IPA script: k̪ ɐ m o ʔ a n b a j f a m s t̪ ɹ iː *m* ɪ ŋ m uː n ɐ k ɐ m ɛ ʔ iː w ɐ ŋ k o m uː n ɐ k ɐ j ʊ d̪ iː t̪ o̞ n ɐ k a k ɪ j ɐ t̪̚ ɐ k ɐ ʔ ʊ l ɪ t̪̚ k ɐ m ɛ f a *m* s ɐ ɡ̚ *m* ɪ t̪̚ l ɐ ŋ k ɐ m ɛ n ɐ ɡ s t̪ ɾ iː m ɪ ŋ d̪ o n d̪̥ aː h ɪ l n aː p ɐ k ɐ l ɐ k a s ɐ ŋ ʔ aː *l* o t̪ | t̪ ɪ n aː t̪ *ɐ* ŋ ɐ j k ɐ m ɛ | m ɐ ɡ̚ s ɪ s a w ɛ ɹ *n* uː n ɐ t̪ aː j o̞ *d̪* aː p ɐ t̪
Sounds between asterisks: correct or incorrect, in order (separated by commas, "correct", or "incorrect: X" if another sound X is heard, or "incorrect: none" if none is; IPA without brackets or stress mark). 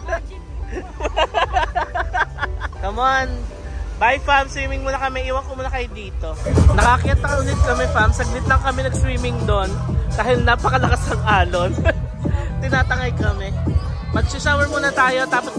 correct, correct, incorrect: n, correct, correct, incorrect: m, incorrect: t̪